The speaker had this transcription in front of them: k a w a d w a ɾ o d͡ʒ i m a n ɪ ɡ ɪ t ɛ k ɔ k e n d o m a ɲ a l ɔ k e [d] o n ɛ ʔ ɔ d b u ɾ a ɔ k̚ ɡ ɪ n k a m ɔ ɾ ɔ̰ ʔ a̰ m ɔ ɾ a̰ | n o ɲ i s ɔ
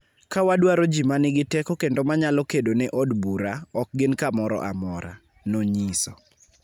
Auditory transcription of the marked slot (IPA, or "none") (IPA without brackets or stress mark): d